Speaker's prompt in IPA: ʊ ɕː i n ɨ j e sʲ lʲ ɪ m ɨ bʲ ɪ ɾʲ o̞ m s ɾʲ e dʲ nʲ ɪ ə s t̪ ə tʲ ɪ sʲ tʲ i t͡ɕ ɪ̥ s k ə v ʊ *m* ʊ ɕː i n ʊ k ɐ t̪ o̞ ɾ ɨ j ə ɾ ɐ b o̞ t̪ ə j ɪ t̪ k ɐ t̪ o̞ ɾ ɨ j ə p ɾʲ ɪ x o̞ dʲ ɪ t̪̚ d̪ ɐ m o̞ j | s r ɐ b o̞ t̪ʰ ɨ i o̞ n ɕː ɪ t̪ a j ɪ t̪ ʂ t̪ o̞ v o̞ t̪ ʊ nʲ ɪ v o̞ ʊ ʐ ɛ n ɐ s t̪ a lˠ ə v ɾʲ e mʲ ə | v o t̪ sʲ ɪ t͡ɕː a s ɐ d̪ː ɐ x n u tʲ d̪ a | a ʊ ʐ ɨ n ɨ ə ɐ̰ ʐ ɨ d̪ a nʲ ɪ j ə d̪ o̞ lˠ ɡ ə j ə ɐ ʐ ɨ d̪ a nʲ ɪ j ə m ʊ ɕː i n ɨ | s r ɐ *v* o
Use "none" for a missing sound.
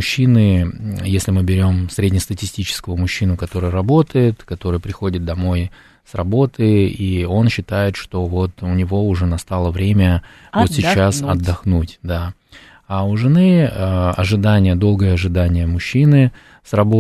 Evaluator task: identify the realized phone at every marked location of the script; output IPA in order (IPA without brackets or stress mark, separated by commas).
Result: m, b